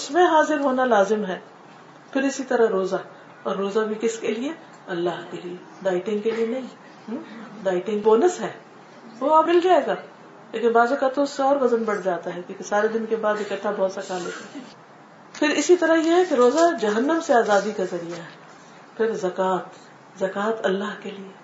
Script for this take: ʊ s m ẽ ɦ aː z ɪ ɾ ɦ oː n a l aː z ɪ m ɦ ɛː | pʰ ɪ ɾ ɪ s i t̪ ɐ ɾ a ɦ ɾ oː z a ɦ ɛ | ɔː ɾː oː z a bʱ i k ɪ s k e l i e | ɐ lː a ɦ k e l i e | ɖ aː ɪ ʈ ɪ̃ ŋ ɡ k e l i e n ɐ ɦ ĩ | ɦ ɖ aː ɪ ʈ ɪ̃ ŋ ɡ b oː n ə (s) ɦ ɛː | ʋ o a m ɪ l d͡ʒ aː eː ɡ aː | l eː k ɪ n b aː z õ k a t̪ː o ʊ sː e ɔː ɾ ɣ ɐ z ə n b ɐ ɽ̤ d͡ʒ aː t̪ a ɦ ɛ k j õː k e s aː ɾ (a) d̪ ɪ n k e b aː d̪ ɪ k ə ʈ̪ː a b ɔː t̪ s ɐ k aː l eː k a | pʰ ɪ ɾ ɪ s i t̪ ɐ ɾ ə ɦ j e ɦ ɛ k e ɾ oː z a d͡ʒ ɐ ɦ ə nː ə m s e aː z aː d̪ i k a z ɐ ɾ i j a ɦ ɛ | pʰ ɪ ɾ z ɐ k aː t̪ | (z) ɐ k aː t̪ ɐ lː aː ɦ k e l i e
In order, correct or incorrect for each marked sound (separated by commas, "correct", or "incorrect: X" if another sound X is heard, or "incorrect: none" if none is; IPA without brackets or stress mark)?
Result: correct, incorrect: e, correct